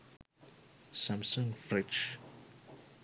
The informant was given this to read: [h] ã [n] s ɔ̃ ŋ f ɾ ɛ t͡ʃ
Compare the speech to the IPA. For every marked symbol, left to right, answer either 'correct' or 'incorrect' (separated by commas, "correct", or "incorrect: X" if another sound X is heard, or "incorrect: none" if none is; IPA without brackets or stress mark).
incorrect: s, incorrect: m